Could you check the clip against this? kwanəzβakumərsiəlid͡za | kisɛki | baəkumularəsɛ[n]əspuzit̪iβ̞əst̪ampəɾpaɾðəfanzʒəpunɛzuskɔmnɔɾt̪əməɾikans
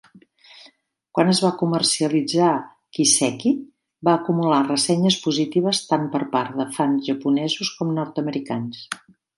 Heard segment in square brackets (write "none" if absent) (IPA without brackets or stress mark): ɲ